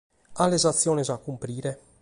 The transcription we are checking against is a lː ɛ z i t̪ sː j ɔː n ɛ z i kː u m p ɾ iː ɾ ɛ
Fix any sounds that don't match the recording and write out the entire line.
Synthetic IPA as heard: a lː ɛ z a t̪ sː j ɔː n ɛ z a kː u m p ɾ iː ɾ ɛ